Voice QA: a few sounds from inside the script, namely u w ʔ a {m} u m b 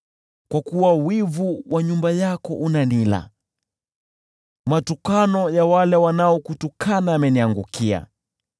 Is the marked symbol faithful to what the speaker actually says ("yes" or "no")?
no